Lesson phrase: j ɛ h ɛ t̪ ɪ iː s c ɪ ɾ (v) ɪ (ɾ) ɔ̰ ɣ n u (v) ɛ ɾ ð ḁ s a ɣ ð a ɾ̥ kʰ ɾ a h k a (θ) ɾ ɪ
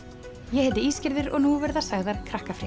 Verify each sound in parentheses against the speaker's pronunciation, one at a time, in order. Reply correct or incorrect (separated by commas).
incorrect, correct, correct, incorrect